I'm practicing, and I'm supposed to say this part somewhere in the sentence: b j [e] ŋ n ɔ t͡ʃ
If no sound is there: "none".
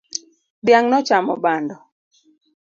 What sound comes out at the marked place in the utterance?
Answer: a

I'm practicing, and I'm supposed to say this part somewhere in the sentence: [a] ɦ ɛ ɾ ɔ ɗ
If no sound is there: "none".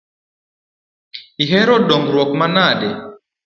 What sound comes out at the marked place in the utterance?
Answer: i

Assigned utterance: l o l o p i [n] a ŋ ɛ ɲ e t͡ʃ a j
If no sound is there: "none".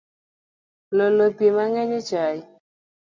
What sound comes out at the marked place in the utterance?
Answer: m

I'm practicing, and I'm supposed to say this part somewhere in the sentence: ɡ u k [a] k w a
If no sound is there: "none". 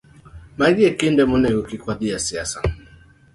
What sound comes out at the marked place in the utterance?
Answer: i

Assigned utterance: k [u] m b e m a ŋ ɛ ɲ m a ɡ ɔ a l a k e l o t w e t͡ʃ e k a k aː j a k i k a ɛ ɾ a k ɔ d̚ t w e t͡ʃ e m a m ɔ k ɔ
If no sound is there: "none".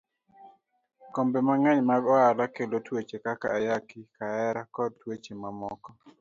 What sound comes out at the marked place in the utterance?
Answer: o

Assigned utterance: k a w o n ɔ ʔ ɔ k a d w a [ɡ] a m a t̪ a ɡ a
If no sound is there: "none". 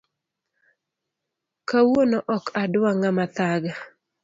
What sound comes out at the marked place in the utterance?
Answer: ŋ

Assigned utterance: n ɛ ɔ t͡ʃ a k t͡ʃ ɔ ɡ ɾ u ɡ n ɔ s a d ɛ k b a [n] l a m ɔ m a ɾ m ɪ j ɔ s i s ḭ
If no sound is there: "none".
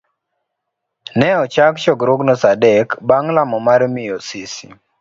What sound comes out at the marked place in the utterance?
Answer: ŋ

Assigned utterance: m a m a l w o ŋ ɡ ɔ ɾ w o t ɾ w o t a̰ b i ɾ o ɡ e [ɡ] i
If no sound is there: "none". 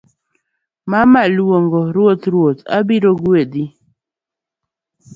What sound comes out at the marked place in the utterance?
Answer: d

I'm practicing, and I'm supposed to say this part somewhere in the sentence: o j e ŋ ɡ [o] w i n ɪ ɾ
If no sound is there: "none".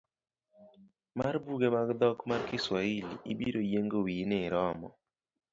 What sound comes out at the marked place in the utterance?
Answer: o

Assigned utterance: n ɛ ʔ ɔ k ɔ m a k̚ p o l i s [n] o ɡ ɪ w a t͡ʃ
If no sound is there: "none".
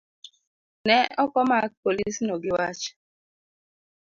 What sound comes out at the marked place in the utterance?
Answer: n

